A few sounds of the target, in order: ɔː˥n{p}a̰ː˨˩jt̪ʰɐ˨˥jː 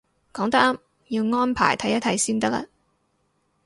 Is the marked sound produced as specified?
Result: no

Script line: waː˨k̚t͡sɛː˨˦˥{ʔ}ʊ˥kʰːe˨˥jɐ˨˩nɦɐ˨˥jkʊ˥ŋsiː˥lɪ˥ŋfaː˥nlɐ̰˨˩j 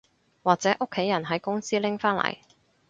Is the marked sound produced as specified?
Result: yes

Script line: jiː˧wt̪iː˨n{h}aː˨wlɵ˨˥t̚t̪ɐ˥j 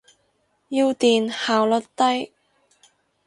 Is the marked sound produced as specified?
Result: yes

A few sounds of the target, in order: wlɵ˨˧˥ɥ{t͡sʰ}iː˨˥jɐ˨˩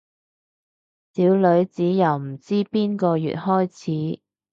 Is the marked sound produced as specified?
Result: no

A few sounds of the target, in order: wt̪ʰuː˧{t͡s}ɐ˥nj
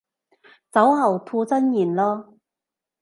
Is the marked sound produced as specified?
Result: yes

